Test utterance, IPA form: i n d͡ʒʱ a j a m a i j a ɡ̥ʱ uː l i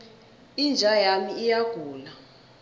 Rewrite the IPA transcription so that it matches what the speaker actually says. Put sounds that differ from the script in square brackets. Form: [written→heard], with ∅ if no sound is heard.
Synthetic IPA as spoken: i n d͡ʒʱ a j a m [a→i] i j a ɡ̥ʱ uː l [i→a]